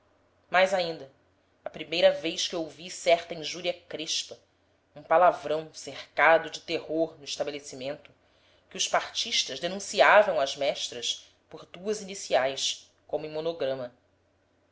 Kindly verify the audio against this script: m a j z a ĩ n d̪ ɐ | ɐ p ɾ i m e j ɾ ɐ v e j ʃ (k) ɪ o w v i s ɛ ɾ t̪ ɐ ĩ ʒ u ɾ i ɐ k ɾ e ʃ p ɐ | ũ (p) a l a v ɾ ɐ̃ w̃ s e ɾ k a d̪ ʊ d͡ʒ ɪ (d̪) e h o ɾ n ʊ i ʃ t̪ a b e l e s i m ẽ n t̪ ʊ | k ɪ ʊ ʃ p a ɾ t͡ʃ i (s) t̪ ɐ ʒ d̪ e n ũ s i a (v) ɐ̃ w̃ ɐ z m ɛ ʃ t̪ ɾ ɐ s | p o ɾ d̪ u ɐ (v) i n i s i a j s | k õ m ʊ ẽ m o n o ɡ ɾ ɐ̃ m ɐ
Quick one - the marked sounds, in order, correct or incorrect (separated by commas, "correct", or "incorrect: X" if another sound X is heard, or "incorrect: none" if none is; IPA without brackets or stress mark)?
correct, correct, incorrect: t̪, incorrect: ʃ, correct, incorrect: z